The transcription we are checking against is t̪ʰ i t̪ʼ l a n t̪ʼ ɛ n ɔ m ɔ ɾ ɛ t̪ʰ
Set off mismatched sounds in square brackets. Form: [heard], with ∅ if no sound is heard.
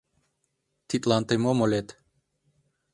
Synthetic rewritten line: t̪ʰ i t̪ʼ l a n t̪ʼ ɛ [m] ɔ m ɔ [l] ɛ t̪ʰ